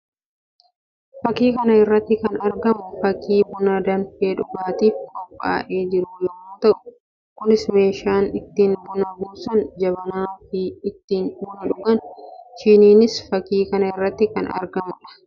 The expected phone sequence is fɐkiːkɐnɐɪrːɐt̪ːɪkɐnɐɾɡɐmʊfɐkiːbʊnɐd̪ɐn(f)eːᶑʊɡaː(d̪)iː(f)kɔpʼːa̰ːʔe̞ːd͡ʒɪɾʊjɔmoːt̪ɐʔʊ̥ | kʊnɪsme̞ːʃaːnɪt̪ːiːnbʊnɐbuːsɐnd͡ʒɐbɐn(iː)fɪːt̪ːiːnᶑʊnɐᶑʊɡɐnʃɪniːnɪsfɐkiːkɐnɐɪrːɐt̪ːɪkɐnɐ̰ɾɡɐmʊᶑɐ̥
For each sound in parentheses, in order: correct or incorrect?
correct, incorrect, correct, incorrect

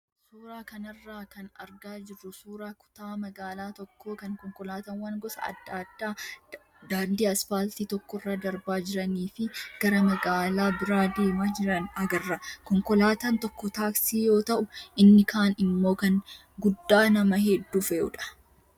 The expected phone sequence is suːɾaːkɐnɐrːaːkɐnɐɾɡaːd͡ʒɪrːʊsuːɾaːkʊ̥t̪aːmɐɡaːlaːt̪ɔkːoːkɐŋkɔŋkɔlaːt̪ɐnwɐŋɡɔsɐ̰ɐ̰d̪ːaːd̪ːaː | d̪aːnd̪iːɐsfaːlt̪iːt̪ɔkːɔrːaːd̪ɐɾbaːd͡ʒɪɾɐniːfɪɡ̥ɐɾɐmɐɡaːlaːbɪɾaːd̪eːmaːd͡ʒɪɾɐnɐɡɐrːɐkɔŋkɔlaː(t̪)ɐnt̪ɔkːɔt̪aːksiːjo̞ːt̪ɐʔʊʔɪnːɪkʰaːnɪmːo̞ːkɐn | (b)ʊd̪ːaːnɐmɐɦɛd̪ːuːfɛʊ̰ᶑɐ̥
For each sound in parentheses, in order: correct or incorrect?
correct, incorrect

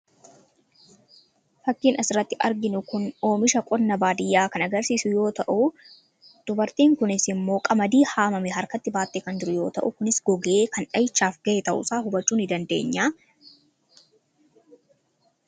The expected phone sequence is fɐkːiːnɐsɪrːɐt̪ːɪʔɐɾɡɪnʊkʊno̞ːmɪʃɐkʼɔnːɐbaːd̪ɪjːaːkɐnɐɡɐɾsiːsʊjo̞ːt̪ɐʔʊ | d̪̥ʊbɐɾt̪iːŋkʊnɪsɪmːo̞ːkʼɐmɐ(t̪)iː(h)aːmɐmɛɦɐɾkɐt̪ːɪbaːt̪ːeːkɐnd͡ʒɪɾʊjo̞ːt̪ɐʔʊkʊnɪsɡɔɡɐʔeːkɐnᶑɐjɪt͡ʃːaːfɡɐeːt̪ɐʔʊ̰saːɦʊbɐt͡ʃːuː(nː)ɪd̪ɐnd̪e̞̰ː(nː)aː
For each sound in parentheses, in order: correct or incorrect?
incorrect, correct, incorrect, incorrect

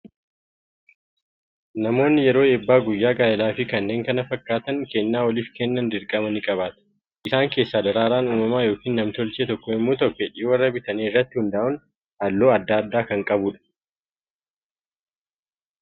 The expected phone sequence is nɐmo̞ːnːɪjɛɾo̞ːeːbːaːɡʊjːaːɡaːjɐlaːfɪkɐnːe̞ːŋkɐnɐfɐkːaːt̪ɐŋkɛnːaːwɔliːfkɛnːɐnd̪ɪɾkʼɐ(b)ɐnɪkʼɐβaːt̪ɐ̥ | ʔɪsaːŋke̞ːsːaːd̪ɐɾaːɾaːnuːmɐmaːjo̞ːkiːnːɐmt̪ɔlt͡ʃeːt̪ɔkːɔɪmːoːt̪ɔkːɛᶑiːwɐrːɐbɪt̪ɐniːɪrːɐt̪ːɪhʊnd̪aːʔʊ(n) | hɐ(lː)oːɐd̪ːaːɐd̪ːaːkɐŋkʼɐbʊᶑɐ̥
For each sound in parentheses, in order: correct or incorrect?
incorrect, correct, correct

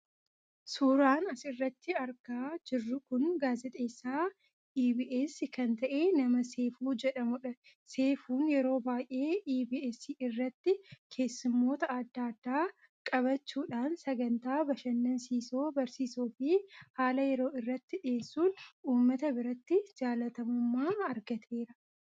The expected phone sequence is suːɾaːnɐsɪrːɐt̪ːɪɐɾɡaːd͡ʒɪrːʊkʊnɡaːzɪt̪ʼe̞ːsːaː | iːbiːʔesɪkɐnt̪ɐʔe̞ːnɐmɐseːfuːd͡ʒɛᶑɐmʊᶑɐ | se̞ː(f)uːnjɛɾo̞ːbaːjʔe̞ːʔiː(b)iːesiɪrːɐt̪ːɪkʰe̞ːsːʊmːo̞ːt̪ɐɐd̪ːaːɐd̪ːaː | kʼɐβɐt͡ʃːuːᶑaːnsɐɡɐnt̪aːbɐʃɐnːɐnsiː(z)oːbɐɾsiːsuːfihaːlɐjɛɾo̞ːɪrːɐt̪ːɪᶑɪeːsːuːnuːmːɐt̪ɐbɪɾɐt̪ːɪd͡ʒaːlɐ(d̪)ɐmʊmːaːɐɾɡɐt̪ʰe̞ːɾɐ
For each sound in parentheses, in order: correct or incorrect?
correct, correct, incorrect, incorrect

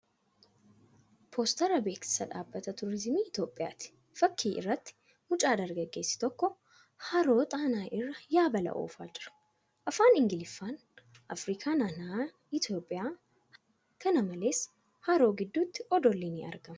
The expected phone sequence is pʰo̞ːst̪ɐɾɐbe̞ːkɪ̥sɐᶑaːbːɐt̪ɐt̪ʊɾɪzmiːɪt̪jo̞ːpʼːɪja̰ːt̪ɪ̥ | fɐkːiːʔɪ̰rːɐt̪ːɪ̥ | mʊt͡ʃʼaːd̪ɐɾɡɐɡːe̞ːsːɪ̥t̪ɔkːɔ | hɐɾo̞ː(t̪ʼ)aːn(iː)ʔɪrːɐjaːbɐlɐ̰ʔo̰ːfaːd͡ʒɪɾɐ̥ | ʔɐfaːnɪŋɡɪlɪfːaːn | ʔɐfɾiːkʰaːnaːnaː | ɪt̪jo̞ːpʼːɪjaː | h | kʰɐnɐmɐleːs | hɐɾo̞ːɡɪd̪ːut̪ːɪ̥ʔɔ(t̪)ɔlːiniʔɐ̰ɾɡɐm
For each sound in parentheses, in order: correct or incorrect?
correct, incorrect, incorrect

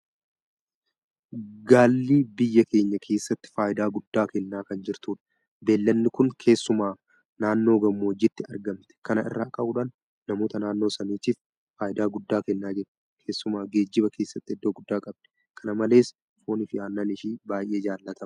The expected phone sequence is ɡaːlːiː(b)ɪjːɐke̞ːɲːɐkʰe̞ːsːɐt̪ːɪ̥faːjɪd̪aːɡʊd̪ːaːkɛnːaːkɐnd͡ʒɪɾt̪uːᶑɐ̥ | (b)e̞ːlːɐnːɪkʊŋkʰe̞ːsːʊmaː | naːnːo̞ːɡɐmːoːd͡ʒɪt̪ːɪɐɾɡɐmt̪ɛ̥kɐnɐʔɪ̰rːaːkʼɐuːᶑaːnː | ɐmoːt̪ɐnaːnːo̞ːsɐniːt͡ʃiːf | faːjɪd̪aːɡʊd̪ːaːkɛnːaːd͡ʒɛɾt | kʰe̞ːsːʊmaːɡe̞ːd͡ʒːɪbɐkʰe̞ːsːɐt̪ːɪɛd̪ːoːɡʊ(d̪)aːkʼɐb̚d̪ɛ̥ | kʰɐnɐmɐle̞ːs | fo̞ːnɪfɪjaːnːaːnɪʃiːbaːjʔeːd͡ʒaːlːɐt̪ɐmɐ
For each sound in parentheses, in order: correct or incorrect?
correct, correct, incorrect

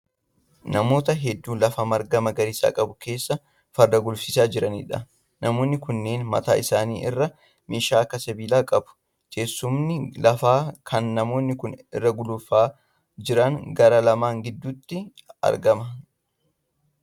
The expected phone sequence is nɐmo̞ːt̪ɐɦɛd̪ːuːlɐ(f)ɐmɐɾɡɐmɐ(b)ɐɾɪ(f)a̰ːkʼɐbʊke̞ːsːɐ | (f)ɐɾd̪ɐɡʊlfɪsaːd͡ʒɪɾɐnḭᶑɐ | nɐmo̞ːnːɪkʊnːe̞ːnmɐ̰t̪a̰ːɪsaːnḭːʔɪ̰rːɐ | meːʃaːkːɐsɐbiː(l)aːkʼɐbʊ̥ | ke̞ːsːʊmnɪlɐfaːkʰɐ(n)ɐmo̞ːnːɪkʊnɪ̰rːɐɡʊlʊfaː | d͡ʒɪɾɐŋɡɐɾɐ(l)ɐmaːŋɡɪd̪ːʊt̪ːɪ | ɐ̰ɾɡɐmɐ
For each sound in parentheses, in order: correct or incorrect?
correct, incorrect, incorrect, correct, correct, incorrect, correct

